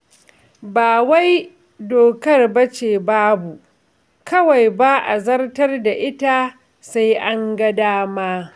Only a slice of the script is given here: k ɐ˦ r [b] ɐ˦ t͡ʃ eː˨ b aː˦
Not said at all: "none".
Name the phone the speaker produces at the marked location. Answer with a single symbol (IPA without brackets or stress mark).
b